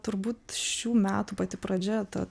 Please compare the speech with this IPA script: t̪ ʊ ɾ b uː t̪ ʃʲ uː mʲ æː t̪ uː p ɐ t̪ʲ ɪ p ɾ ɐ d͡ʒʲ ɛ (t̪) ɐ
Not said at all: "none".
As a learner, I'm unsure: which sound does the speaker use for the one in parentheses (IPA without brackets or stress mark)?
t̪